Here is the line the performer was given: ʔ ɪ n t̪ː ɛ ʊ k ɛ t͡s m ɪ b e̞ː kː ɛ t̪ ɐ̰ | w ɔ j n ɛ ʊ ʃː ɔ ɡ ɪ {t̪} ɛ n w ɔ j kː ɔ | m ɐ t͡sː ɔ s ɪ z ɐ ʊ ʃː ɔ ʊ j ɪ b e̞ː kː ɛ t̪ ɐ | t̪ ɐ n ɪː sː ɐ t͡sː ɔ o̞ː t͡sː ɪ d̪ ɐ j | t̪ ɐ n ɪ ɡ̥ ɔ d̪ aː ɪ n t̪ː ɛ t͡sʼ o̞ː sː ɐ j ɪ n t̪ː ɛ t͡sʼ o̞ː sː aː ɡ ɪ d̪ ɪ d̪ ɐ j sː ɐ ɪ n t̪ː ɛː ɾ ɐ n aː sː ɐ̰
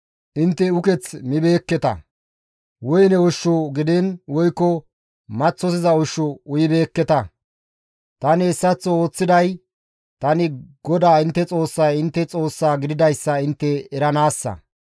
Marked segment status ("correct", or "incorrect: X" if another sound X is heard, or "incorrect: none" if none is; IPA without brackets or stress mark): incorrect: d̪